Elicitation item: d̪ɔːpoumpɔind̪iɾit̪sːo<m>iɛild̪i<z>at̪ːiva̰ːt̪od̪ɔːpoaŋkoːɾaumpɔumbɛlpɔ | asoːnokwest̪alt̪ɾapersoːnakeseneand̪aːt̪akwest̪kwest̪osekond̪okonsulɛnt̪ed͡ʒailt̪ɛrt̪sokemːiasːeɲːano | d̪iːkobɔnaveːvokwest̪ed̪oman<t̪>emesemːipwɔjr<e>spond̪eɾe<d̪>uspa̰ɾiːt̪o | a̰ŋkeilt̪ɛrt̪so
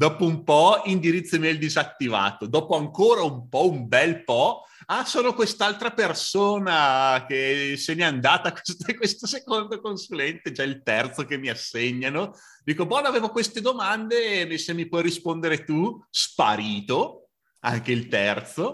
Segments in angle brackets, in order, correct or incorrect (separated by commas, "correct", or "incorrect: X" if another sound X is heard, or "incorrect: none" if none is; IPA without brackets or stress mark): correct, correct, incorrect: d̪, incorrect: i, incorrect: t̪